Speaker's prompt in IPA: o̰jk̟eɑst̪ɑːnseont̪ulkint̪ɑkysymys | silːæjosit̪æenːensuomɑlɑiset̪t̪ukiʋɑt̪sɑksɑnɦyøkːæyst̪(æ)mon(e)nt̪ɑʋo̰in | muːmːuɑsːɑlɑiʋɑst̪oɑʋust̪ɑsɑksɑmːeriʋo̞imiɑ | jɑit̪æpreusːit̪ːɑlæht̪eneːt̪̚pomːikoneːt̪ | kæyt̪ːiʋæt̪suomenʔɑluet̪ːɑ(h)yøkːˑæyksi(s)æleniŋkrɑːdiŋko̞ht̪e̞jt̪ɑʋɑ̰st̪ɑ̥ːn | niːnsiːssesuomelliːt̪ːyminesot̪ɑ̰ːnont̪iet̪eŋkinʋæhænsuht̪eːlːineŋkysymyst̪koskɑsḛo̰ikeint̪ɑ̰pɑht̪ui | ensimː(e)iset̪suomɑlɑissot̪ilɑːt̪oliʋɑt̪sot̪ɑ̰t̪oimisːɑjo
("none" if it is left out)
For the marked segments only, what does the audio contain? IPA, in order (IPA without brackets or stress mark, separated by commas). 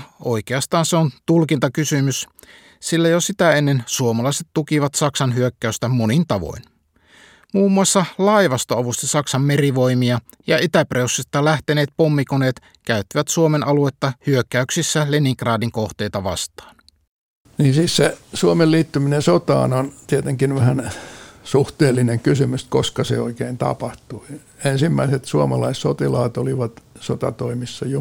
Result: æ, i, h, sː, æ